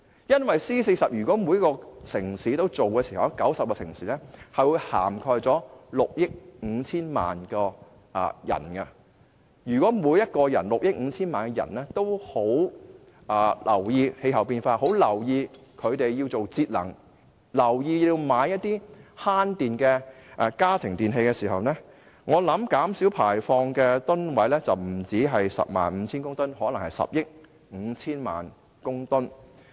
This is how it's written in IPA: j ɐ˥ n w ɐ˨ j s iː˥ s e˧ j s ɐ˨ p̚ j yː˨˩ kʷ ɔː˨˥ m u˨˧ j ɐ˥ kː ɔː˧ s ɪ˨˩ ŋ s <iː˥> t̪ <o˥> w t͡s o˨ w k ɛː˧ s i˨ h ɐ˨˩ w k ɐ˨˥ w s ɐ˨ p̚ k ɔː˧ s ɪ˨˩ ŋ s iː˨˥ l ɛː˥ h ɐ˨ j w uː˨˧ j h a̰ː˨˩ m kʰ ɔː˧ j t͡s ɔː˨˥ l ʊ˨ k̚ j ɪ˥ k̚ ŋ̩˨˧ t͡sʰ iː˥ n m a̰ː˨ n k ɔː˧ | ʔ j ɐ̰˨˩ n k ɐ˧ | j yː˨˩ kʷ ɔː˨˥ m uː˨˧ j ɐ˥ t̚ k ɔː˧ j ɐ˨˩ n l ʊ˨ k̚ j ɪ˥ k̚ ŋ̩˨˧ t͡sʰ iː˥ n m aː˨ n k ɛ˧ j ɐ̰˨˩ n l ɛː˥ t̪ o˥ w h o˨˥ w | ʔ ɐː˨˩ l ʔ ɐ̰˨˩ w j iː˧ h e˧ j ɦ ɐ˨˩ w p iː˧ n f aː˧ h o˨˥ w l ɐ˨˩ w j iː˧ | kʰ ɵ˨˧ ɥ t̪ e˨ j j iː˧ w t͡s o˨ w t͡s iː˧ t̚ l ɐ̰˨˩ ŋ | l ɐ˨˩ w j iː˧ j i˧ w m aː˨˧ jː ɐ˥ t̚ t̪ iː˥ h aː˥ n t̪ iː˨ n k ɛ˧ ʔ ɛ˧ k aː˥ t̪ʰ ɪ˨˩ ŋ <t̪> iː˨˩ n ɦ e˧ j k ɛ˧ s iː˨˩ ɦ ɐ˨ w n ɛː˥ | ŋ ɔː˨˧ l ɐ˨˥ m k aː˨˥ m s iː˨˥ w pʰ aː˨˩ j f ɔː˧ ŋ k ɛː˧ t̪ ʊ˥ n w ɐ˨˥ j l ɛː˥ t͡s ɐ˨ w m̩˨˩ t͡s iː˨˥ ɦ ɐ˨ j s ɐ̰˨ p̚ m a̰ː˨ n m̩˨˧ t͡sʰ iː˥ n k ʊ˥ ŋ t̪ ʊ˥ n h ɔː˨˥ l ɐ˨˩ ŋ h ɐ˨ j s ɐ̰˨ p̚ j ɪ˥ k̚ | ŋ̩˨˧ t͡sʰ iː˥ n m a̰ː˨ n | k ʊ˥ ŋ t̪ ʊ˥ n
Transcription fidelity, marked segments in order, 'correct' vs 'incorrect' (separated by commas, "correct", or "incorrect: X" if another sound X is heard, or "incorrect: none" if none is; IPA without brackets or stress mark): incorrect: iː˨˥, correct, correct